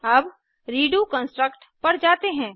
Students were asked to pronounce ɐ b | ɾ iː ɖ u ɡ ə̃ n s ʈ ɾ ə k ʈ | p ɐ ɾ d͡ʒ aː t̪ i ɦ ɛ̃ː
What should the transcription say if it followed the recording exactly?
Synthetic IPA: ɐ b | ɾ iː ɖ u k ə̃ n s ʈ ɾ ə k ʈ | p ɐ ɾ d͡ʒ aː t̪ e ɦ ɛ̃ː